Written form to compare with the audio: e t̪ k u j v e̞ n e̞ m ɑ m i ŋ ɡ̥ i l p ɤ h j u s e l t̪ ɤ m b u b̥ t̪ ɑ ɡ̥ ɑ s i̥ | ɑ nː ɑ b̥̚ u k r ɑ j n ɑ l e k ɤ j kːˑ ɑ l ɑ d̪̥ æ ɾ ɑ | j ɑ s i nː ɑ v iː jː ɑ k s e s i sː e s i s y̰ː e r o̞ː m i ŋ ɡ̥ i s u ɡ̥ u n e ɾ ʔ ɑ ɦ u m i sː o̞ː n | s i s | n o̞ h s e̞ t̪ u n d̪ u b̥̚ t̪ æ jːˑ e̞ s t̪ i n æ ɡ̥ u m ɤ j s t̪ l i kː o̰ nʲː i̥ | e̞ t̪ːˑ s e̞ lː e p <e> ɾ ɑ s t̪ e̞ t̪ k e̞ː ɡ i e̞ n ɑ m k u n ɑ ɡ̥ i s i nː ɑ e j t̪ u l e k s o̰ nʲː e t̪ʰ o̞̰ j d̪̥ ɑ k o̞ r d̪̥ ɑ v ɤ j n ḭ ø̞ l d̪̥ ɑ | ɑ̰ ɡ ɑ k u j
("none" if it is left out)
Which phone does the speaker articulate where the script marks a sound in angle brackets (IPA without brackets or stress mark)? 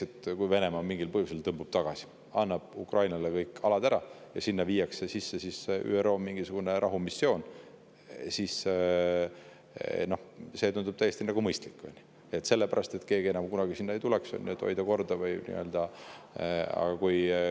æ